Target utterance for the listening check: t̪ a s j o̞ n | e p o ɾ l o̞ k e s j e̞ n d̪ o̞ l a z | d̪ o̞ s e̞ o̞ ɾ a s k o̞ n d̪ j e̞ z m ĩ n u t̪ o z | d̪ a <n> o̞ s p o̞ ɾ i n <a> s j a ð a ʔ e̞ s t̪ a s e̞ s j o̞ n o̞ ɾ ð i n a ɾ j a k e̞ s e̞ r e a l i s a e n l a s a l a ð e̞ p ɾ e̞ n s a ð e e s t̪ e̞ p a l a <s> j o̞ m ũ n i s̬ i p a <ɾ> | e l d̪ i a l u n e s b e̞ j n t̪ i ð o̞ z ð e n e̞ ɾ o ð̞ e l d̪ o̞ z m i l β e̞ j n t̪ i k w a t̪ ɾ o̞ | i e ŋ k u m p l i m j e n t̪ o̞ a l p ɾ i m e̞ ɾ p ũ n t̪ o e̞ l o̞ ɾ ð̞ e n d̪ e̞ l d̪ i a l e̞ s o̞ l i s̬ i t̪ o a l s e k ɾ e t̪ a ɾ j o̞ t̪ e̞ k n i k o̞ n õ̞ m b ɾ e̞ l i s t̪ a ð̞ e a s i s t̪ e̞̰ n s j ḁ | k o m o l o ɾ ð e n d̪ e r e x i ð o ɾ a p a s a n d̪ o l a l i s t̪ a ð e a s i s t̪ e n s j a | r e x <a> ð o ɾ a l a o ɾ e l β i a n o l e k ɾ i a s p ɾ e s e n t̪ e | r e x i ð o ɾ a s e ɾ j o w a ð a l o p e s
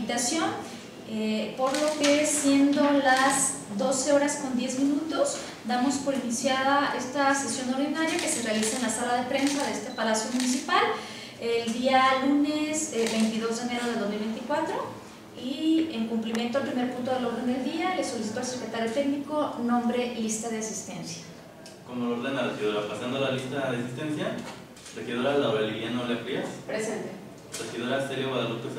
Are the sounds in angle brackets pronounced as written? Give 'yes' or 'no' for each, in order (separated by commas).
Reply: no, no, yes, no, no